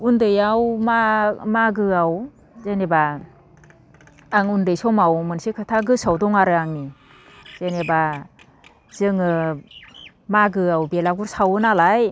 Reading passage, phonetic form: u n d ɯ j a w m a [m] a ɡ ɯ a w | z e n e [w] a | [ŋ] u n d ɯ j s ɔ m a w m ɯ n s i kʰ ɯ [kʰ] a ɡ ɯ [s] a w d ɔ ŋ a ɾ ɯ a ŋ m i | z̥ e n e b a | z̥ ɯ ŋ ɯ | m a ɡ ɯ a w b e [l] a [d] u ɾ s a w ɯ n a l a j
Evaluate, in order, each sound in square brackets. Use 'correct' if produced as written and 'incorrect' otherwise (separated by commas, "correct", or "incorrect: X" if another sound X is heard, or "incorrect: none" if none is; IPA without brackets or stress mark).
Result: correct, incorrect: b, correct, incorrect: tʰ, correct, correct, incorrect: ɡ